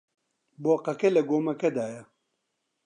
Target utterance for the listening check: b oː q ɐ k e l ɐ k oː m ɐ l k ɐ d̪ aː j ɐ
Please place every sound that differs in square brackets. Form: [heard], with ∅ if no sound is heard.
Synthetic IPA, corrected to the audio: b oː q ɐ k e l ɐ [ɡ] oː m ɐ [∅] k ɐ d̪ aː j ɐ